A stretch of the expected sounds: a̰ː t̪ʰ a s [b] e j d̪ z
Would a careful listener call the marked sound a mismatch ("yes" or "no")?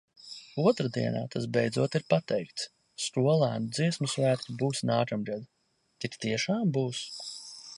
no